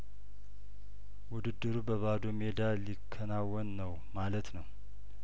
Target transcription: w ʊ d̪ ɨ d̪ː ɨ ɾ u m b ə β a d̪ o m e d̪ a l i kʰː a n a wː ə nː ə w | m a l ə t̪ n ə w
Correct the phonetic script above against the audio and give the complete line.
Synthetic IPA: w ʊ d̪ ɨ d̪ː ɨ ɾ u b ə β a d̪ o m e d̪ a l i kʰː ə n a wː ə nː ə w | m a l ə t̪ n ə w